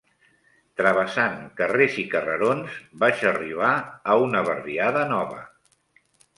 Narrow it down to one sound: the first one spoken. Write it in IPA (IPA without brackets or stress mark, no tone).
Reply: t̪